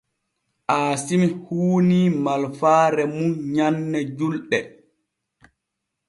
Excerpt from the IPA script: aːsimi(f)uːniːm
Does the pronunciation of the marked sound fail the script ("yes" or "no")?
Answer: yes